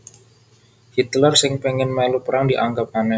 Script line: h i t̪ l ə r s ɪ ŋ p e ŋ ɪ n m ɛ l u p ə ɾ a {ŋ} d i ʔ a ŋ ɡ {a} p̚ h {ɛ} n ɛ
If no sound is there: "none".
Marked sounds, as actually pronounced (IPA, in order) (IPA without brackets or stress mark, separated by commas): ŋ, a, a